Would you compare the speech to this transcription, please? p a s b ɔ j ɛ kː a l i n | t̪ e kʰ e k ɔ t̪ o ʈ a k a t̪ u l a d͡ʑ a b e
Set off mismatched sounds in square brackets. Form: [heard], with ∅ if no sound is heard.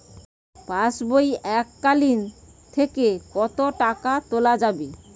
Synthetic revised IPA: p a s b [o] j ɛ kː a l i n | [t̪ʰ] e [k] e k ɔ t̪ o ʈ a k a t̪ [o] l a d͡ʑ a b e